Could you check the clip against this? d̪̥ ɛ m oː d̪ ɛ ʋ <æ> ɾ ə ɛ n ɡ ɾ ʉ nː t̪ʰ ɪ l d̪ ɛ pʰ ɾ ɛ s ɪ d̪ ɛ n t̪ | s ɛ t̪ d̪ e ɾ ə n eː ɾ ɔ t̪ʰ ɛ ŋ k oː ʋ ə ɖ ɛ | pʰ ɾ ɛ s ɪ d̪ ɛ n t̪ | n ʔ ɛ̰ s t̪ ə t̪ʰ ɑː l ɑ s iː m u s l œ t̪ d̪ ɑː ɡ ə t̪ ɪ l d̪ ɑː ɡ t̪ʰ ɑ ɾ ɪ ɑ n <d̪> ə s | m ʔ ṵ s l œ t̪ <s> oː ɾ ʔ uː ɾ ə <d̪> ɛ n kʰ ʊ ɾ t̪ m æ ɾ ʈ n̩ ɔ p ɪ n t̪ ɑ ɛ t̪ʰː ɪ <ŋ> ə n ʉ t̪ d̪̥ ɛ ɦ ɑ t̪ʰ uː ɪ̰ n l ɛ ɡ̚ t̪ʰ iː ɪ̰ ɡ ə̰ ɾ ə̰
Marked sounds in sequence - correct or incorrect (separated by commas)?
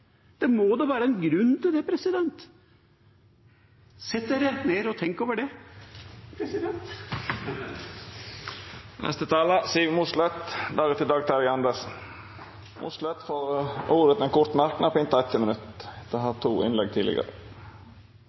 incorrect, correct, incorrect, incorrect, incorrect